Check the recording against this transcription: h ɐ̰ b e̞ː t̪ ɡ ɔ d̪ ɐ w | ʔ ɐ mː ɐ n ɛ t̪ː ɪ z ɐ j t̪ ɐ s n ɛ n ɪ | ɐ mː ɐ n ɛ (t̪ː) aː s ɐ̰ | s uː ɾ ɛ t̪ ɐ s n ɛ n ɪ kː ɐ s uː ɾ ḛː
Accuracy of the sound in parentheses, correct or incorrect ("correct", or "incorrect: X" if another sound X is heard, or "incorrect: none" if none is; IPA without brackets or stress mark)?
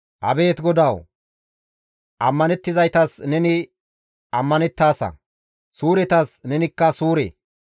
correct